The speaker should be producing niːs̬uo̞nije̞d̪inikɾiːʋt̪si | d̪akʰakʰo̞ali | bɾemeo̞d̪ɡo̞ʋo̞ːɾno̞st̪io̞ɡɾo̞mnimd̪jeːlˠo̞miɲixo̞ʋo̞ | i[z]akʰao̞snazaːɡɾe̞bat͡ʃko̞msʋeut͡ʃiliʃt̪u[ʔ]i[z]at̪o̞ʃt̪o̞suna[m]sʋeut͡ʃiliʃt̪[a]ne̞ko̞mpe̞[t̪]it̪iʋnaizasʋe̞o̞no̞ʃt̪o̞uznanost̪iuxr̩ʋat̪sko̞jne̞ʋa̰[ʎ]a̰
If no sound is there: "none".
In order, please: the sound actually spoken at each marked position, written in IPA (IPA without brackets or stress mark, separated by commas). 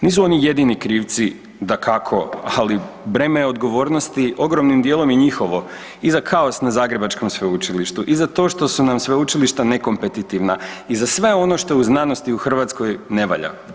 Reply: z, ʔ, z, m, a, t̪, ʎ